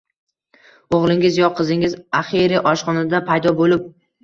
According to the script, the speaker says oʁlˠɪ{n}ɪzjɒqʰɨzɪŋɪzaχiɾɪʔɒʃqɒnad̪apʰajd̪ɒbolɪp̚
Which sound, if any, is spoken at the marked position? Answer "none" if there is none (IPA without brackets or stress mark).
ŋ